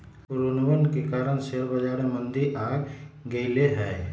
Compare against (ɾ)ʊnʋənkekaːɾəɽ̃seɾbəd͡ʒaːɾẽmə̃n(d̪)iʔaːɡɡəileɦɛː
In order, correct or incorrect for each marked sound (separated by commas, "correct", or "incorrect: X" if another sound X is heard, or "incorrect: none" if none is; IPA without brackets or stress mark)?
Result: correct, correct